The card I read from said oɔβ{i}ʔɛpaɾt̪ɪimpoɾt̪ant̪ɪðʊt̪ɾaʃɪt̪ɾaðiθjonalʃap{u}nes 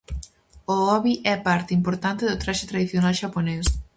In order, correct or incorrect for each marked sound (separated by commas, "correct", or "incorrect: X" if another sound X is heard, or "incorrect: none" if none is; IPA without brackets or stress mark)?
correct, incorrect: o